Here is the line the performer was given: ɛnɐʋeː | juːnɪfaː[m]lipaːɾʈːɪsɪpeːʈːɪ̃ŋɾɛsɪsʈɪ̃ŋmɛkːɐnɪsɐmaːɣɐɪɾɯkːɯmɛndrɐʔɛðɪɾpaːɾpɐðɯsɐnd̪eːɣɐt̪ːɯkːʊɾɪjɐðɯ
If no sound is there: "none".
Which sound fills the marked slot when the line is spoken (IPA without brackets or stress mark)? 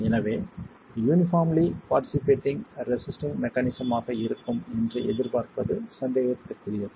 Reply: m